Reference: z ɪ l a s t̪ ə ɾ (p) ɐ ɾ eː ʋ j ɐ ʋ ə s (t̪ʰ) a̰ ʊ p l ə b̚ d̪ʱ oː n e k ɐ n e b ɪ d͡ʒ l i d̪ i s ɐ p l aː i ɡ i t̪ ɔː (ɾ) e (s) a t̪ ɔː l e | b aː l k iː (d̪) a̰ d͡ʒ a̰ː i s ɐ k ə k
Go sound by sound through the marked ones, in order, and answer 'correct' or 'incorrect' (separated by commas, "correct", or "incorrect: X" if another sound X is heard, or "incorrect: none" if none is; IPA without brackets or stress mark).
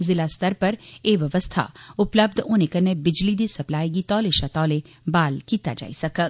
correct, correct, incorrect: l, incorrect: ʃ, incorrect: t̪